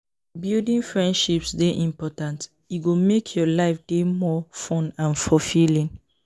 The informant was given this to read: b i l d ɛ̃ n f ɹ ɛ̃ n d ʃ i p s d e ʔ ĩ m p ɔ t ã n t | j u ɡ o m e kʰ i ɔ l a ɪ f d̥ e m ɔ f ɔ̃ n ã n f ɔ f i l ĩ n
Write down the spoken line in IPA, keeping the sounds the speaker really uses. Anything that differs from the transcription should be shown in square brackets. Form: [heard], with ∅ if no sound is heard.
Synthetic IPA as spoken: b i l d [ĩ] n f ɹ ɛ̃ n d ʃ i p s d e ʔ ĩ m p ɔ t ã n t | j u ɡ o m e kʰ [j] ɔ l a ɪ f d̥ e m ɔ f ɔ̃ n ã n f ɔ f i l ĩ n